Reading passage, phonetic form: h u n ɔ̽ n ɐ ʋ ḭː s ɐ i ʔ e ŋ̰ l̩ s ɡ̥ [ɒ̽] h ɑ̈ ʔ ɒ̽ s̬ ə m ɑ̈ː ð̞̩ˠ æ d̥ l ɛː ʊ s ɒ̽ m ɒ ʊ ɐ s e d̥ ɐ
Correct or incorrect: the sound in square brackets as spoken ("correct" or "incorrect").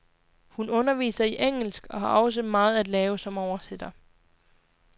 correct